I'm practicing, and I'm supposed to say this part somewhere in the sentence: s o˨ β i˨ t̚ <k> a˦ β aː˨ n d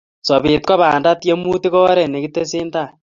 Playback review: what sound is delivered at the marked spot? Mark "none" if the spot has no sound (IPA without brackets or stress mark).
k